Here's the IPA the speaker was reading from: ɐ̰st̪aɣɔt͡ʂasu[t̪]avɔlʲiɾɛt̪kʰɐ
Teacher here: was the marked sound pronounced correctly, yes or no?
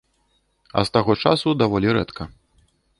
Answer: no